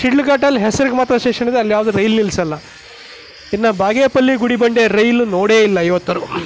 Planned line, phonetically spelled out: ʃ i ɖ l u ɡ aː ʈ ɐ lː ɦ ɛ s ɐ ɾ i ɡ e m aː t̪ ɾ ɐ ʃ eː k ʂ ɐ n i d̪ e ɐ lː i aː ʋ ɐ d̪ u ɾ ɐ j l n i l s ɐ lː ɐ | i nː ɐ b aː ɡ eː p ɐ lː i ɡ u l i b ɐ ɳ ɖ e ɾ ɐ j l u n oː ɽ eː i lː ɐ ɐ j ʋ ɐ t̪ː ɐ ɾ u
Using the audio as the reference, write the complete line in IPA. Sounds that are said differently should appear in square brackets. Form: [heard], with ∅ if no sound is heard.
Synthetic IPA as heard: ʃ i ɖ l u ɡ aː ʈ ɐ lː ɦ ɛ s ɐ ɾ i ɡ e m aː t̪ ɾ ɐ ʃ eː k ʂ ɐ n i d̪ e ɐ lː [j] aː ʋ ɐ d̪ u ɾ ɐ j l n i l s ɐ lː ɐ | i nː ɐ b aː ɡ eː p ɐ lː i ɡ u [ɽ] i b ɐ ɳ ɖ e ɾ ɐ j l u n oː ɽ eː i lː ɐ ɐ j ʋ ɐ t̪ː ɐ ɾ u